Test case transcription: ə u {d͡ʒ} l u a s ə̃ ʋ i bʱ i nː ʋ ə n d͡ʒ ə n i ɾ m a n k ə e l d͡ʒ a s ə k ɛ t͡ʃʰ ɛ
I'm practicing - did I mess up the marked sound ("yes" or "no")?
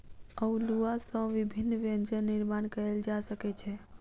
yes